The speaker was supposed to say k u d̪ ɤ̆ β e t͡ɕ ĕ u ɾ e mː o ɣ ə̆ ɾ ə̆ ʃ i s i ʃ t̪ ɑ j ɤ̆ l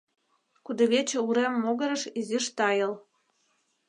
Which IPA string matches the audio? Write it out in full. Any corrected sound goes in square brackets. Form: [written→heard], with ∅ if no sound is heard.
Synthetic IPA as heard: k u d̪ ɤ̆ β e t͡ɕ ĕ u ɾ e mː o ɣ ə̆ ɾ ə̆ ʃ i [s→z] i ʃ t̪ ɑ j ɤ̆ l